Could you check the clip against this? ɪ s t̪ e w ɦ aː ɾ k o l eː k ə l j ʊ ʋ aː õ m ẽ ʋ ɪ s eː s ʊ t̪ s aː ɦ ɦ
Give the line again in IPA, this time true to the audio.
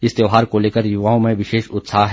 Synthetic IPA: ɪ s t̪ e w ɦ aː ɾ k o l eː k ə ɾ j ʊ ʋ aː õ m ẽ ʋ ɪ ʃ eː ʃ ʊ t̪ s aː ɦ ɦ